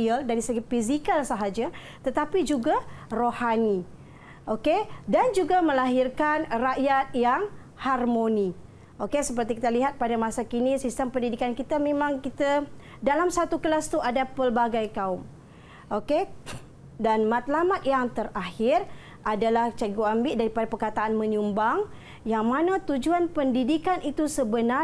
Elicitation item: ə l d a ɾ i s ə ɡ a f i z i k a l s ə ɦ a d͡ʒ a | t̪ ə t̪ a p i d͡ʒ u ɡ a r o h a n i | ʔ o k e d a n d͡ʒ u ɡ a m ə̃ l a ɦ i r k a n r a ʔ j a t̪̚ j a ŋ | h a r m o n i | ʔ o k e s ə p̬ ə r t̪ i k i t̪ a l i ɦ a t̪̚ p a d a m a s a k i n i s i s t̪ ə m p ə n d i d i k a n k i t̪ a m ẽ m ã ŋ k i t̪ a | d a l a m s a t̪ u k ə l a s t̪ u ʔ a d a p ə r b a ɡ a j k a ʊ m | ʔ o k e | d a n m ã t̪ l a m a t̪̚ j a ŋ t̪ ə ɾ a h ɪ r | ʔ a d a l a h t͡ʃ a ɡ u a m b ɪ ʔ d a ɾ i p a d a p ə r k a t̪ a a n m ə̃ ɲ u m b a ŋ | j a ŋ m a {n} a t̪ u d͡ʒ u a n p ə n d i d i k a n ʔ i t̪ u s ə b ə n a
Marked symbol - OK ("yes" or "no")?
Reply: yes